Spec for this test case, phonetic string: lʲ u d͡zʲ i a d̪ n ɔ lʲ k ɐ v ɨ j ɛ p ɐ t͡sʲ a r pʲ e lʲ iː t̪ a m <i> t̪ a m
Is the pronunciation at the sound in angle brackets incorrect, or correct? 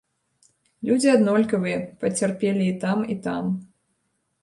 correct